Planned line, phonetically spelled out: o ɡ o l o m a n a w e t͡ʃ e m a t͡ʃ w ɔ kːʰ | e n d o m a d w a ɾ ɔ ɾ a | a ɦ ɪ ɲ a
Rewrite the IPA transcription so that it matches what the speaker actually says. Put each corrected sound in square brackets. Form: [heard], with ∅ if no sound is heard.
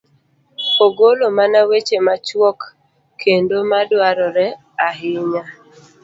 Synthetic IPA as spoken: o ɡ o l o m a n a w e t͡ʃ e m a t͡ʃ w ɔ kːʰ | e n d o m a d w a ɾ ɔ ɾ [ɛ] | a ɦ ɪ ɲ a

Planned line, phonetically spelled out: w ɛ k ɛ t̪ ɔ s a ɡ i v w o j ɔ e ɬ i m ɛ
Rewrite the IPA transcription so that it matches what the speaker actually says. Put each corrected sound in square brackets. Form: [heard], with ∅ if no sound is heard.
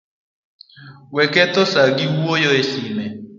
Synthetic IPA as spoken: w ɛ k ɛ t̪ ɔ s a ɡ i [w] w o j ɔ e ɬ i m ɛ

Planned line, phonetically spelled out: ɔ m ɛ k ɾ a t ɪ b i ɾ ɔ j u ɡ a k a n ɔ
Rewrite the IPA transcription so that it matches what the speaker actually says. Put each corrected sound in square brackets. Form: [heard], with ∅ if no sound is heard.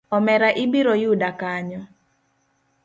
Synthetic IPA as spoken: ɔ m ɛ [∅] ɾ a [ʔ] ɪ b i ɾ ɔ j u [d] a k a [ɲ] ɔ

